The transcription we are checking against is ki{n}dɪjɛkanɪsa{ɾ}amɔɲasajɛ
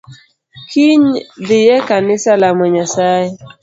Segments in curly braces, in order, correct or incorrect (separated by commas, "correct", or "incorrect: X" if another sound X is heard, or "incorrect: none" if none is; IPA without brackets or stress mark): incorrect: ɲ, incorrect: l